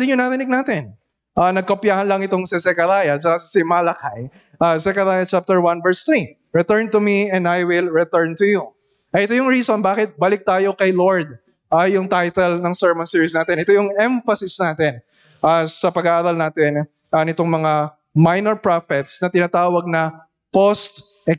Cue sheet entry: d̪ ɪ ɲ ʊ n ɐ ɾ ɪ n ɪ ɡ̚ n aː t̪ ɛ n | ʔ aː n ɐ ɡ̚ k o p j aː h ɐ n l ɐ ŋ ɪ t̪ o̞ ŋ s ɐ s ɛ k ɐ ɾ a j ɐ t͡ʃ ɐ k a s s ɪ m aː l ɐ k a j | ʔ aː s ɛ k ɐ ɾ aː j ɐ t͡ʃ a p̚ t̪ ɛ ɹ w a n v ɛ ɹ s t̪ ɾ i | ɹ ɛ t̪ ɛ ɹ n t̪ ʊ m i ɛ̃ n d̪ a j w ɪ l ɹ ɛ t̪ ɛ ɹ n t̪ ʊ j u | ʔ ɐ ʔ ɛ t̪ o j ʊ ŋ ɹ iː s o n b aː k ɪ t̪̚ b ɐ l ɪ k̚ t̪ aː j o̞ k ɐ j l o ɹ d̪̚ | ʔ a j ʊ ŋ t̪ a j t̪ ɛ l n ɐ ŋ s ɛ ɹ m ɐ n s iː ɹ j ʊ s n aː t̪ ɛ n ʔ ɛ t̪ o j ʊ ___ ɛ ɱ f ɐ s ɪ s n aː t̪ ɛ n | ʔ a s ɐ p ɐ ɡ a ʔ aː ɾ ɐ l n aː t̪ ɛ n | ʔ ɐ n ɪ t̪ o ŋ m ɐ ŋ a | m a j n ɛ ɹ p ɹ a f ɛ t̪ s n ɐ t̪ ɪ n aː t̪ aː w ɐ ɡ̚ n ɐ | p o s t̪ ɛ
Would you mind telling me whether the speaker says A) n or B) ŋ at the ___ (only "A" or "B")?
B